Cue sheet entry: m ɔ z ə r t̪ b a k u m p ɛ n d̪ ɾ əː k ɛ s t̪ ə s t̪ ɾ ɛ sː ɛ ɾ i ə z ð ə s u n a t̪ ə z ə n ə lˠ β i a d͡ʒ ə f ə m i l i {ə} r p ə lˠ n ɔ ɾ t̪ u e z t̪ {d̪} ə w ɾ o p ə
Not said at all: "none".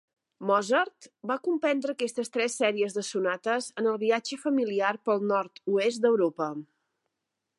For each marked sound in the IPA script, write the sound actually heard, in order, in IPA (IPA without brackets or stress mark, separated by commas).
a, d̪